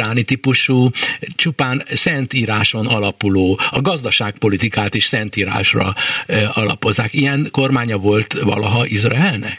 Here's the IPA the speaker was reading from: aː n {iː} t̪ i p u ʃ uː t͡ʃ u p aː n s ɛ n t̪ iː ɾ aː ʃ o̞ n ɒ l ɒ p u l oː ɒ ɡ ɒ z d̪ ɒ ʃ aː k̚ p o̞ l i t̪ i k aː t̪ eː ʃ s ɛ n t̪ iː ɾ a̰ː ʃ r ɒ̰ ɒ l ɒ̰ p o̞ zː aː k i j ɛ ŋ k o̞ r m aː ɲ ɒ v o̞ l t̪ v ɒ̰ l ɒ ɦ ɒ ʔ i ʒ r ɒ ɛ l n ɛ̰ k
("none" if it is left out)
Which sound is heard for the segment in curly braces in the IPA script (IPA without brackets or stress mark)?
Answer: i